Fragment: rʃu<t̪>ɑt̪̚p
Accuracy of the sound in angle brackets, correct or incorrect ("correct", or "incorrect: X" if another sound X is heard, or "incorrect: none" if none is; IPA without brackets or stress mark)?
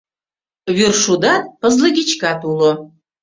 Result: incorrect: d̪